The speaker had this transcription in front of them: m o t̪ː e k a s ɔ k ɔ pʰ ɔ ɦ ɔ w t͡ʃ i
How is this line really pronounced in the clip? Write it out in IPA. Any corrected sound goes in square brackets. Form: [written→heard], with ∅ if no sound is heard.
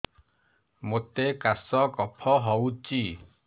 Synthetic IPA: m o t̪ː e k a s ɔ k ɔ pʰ ɔ ɦ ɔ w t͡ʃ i